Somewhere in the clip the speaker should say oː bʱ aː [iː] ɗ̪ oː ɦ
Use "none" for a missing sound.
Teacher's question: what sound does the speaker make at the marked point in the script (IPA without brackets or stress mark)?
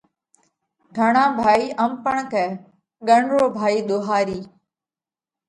iː